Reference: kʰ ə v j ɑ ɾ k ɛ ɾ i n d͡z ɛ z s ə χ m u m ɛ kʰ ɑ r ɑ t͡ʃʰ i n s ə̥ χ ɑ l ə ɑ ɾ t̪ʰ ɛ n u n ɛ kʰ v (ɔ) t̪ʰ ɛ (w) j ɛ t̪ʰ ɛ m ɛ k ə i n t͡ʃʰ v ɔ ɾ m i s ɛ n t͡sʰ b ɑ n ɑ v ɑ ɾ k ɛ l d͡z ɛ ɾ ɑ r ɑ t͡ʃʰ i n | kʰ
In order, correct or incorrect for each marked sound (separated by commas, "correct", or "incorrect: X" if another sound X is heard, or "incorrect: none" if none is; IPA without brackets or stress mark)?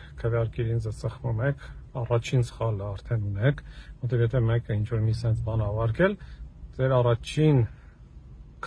correct, incorrect: v